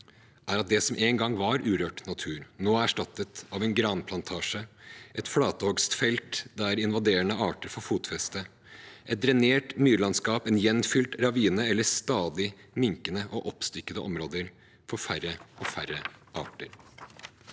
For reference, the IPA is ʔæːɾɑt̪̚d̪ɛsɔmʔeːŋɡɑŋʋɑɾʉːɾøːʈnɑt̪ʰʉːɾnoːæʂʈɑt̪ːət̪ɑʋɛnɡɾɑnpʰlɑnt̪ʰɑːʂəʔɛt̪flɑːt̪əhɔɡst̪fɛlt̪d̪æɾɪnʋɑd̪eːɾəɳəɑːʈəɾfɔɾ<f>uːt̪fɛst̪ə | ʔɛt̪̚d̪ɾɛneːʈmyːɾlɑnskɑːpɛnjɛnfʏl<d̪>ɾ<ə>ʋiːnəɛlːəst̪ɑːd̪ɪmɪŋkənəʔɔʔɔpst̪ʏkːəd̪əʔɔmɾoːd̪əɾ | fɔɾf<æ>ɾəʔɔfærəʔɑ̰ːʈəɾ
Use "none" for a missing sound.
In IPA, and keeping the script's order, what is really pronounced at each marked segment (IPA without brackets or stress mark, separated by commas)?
f, t̪, ɑ, æ